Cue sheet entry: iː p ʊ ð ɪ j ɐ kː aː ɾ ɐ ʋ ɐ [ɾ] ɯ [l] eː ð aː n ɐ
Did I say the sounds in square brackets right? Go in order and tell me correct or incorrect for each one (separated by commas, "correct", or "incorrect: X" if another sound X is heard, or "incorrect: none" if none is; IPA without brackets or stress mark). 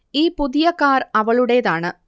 incorrect: ɭ, incorrect: ɽ